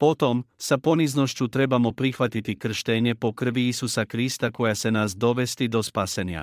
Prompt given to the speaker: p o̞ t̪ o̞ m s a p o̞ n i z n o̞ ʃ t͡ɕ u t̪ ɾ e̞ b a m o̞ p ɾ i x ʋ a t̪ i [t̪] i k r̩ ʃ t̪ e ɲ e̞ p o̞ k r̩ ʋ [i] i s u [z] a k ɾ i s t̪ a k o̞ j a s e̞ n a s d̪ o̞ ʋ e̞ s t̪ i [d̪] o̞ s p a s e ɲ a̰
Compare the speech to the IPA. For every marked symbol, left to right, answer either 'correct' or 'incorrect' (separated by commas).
correct, correct, incorrect, correct